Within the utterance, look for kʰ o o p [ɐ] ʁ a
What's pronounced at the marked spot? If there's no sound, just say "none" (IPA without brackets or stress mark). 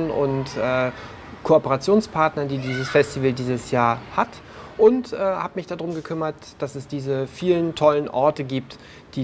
ə